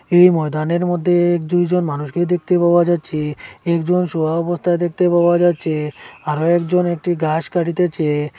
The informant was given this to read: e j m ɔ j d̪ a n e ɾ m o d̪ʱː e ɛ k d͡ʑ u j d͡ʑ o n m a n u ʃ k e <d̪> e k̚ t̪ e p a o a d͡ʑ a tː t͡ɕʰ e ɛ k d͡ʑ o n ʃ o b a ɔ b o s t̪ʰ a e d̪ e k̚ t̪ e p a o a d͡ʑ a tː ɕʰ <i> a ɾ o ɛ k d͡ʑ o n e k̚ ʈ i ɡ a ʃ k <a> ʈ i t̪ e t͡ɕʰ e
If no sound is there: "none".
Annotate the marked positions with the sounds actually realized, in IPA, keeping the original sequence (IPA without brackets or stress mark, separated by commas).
d̪, e, a